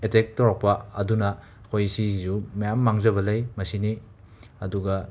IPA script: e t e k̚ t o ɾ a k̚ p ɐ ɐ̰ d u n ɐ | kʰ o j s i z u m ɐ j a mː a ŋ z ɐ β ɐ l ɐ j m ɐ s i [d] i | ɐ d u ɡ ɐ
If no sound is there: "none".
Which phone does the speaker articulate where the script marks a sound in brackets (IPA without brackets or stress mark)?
n